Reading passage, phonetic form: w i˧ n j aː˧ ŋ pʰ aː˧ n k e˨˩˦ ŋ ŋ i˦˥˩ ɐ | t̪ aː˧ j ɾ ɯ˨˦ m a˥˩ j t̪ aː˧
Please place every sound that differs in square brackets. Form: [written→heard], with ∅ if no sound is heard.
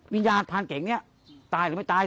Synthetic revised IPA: w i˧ n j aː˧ [ŋ→n] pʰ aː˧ n k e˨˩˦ ŋ [ŋ→n] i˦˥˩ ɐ | t̪ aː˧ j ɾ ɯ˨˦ m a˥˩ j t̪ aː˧